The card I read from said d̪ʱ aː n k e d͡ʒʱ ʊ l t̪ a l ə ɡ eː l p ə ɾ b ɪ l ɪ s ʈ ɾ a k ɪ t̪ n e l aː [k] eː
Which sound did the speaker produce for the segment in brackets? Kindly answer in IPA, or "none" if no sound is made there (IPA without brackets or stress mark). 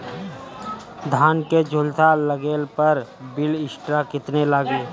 ɡ